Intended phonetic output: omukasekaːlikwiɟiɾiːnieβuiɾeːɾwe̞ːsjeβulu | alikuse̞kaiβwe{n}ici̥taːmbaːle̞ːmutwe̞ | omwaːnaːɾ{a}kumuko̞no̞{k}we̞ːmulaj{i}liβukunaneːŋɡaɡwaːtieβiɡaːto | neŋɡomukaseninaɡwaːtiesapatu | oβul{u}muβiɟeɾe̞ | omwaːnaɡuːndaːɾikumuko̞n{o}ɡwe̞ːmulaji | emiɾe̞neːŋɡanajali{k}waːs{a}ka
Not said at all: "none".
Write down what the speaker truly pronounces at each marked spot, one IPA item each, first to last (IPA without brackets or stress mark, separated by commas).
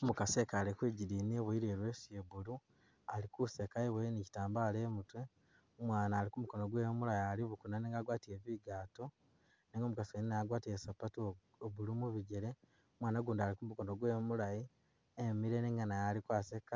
n, i, ɡ, a, u, o, k, e